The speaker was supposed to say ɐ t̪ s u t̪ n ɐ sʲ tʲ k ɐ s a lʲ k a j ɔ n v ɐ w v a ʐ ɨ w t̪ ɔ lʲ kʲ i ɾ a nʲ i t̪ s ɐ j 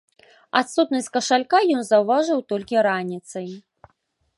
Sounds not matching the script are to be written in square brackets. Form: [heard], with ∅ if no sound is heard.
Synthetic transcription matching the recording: [a] t̪ s u t̪ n ɐ sʲ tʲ k ɐ [ʂ] a lʲ k a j ɔ n [z] ɐ w v a ʐ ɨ w t̪ ɔ lʲ kʲ i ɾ a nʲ i t̪ s ɐ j